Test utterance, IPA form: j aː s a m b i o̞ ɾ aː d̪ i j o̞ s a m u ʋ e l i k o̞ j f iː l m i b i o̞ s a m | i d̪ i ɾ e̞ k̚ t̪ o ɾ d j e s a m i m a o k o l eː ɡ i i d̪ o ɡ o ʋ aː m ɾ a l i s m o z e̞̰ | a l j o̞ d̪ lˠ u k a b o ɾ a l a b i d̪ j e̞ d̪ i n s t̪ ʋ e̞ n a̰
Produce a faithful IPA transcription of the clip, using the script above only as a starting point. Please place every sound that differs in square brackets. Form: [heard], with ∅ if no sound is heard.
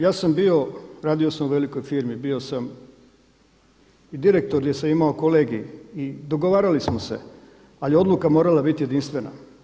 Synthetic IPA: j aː s a m b i o̞ ɾ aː d̪ i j o̞ s a m u ʋ e l i k o̞ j f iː [ɾ] m i b i o̞ s a m | i d̪ i ɾ e̞ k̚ t̪ o ɾ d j e s a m i m a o k o l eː ɡ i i d̪ o ɡ o ʋ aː [∅] ɾ a l i s m o [s] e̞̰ | a l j o̞ d̪ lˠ u k a [m] o ɾ a l a b i [t̪] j e̞ d̪ i n s t̪ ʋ e̞ n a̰